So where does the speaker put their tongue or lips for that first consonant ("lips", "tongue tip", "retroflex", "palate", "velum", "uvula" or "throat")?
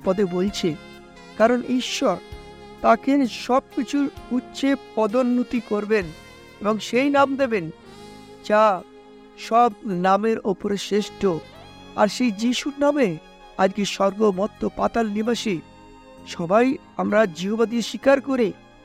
lips